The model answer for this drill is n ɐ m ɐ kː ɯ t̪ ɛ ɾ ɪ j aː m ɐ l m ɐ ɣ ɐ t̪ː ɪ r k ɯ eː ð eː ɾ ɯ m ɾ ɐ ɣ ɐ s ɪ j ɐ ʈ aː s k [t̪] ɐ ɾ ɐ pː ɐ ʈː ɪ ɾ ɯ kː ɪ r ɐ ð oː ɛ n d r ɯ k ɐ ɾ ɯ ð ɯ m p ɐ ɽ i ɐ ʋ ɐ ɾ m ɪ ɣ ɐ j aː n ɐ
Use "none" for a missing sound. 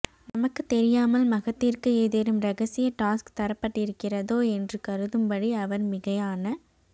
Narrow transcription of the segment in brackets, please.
t̪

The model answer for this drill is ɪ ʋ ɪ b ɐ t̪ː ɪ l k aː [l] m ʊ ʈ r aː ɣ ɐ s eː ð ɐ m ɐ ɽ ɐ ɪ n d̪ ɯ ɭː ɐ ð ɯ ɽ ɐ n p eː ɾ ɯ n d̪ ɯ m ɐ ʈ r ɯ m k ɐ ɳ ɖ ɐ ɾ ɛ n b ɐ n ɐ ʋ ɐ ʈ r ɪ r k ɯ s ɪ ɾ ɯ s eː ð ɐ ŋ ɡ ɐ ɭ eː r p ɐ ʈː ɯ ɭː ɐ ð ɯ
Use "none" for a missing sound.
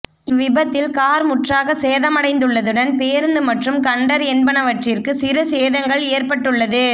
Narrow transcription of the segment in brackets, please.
ɾ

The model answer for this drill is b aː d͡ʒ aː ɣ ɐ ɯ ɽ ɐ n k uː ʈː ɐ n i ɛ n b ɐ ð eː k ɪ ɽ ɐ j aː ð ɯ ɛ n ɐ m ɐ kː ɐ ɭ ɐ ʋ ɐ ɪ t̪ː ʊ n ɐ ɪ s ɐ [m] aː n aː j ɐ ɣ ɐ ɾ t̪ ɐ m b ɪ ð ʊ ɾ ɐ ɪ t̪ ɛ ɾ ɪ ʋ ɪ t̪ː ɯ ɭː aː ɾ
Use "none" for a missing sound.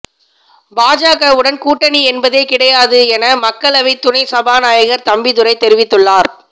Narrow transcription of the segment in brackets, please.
b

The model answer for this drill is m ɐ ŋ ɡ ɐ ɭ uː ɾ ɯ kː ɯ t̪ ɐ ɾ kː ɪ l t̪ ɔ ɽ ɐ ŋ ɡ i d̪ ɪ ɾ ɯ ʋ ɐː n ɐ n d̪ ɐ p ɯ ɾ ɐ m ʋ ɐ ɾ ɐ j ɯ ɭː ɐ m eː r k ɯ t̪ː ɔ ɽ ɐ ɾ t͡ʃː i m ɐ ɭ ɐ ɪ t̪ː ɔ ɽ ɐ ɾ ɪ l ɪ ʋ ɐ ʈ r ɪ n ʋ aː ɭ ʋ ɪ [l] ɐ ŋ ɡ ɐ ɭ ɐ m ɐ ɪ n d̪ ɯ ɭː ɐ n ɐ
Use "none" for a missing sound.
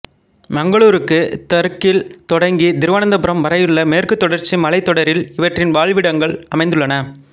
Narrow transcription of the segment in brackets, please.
ɽ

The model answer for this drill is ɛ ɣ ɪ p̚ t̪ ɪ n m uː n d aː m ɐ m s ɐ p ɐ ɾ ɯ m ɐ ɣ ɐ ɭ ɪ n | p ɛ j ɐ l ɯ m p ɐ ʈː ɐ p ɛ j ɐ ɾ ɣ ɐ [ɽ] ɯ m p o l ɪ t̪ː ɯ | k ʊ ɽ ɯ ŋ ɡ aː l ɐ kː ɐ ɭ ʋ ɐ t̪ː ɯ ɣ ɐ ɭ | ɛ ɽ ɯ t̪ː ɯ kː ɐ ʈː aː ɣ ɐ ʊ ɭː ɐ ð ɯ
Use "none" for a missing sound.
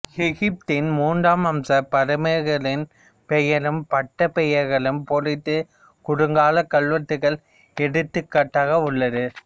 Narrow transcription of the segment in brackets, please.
ɭ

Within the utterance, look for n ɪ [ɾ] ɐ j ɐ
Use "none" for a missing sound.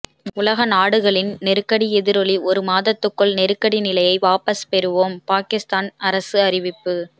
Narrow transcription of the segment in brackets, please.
l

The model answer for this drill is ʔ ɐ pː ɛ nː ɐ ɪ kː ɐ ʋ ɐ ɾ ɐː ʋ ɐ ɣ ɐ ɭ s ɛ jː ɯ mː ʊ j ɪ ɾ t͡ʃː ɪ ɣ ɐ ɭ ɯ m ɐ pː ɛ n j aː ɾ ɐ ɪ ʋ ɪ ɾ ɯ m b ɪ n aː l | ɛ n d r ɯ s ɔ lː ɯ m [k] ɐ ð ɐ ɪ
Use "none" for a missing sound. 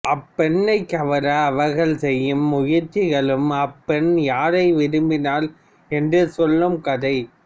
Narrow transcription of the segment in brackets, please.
k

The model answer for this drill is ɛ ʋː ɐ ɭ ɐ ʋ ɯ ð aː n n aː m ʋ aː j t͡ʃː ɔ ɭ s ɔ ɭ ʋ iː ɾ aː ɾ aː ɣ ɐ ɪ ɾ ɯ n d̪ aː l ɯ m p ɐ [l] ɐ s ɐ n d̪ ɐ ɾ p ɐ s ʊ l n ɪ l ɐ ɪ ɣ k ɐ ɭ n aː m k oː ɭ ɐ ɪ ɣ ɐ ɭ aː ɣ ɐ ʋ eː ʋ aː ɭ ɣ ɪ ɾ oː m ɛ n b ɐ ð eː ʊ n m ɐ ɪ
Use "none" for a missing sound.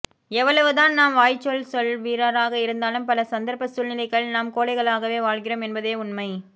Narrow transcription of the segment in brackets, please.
l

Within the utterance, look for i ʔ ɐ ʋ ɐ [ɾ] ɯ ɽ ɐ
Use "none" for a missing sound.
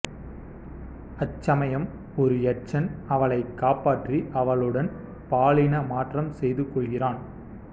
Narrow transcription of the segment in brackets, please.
ɭ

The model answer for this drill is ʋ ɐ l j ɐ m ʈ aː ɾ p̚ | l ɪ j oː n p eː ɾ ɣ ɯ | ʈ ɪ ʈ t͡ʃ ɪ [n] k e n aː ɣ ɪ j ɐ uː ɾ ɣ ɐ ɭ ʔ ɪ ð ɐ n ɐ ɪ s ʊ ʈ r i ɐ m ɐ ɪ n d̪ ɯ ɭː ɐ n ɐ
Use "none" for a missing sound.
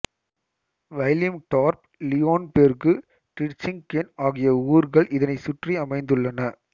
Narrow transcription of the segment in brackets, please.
ŋ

